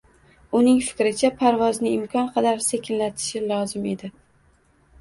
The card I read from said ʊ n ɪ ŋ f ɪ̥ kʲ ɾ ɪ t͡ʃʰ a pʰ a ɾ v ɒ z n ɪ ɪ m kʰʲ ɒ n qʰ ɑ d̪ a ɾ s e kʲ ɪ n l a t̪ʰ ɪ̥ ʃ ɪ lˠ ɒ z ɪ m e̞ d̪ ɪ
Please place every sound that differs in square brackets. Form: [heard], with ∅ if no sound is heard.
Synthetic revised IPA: ʊ n ɪ ŋ f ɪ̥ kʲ ɾ ɪ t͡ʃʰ a pʰ a ɾ v ɒ z n ɪ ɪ m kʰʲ ɒ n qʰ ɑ d̪ a ɾ s e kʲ ɪ n l a t̪ʰ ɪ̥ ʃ ɪ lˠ ɒ z ɪ m e̞ d̪ ɪ